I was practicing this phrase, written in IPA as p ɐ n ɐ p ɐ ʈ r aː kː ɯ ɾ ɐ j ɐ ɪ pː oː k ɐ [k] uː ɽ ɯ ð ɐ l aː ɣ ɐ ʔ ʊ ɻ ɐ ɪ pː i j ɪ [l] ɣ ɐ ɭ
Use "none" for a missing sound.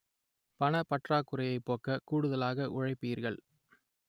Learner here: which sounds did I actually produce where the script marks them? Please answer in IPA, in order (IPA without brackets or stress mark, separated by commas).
k, ɾ